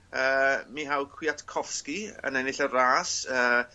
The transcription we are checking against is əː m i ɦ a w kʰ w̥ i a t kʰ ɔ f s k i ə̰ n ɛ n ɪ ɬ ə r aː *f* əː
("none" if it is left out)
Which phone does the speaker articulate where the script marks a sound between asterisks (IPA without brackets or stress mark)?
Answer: s